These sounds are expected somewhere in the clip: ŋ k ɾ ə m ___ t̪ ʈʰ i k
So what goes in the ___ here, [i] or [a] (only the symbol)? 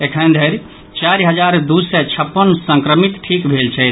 i